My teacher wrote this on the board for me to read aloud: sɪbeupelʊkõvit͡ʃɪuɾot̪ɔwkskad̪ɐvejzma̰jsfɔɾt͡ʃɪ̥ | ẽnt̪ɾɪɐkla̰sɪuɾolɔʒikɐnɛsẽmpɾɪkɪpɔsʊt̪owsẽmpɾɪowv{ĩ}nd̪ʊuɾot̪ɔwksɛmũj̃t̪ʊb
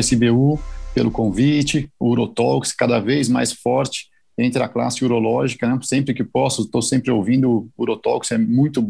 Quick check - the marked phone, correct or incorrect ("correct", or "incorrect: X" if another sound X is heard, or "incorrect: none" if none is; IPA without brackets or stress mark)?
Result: correct